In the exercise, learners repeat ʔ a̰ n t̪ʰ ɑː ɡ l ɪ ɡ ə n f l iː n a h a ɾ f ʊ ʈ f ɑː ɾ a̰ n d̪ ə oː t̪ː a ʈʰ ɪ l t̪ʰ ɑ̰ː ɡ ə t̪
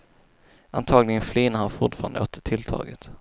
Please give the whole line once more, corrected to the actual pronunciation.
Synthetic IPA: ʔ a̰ n t̪ʰ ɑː ɡ l ɪ ɡ ə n f l iː n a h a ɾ f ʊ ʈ f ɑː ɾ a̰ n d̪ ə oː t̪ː ə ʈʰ ɪ l t̪ʰ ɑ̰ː ɡ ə t̪